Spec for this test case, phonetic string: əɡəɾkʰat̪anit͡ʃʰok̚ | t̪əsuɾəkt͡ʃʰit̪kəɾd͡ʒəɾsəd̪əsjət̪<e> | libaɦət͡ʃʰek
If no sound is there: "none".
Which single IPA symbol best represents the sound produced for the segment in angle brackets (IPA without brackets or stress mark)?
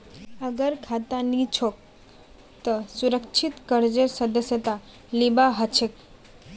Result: a